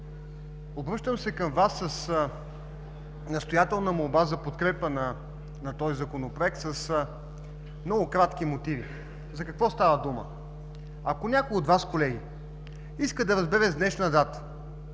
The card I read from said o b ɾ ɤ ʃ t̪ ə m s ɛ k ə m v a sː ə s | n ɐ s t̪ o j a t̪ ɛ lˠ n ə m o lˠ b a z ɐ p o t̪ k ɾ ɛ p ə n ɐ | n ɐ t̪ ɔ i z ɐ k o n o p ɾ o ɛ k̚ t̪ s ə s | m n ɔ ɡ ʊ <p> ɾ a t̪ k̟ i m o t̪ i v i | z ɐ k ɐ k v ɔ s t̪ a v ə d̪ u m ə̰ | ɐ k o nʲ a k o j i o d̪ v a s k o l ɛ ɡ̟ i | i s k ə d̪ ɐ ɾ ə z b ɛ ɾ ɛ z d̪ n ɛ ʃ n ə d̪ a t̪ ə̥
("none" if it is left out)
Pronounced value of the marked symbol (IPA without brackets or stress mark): k